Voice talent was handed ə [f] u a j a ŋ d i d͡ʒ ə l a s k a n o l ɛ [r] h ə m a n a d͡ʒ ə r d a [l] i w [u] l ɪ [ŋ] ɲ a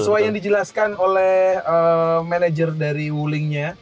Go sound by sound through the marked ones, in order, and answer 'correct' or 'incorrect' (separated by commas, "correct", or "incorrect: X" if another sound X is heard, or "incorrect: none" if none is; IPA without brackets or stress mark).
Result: incorrect: s, incorrect: none, incorrect: ɾ, correct, correct